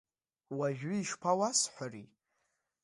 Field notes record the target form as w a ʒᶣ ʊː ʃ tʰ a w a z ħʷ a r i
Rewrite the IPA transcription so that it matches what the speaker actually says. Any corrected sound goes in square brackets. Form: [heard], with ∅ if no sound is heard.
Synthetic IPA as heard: w a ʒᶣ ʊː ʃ [pʰ] a w a [s] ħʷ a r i